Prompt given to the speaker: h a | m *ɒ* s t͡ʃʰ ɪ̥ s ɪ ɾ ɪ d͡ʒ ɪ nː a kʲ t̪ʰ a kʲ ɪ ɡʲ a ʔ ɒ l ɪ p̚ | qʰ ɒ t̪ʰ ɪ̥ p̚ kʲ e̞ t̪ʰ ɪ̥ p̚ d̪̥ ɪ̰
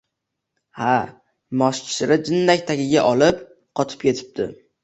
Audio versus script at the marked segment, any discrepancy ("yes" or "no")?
no